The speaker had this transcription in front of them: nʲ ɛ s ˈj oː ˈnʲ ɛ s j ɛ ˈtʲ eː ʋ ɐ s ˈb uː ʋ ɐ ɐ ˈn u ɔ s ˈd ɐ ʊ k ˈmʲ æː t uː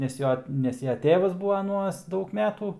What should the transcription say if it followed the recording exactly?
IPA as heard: nʲ ɛ s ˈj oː ˈnʲ ɛ s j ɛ ˈtʲ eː ʋ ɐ s ˈb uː ʋ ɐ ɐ ˈn u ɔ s ˈd ɐ ʊ k ˈmʲ æː t uː